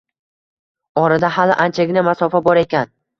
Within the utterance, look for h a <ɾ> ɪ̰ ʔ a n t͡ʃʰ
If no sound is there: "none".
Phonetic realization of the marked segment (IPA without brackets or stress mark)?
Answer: l